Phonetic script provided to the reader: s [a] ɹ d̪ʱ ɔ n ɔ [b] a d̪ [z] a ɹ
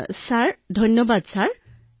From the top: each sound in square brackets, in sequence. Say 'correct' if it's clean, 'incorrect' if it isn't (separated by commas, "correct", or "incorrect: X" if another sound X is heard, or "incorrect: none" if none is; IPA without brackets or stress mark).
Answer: correct, correct, incorrect: s